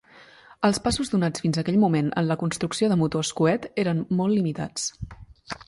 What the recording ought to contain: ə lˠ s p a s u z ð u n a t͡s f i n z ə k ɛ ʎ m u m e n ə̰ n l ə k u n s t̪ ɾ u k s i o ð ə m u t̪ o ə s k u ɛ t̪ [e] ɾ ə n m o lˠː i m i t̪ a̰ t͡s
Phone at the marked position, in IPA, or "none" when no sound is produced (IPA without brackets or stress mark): e